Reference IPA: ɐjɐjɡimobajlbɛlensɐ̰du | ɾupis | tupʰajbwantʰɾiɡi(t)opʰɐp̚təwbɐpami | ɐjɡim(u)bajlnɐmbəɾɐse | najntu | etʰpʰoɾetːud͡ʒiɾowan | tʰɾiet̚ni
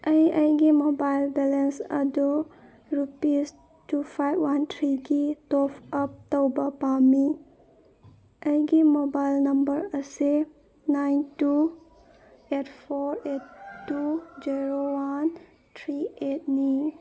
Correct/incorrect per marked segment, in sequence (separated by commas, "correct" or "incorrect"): correct, incorrect